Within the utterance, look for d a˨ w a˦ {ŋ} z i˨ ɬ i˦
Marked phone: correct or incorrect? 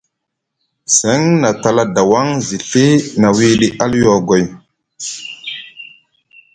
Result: correct